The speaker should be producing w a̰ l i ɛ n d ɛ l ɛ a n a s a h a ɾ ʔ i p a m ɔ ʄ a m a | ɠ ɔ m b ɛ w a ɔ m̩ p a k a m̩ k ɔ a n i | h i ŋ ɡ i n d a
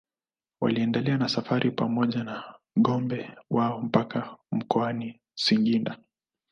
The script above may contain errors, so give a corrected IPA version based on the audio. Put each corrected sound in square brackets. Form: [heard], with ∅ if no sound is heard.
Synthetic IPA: w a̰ l i ɛ n d ɛ l ɛ a n a s a [f] a ɾ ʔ i p a m ɔ ʄ a [n] a | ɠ ɔ m b ɛ w a ɔ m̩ p a k a m̩ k ɔ a n i | [s] i ŋ ɡ i n d a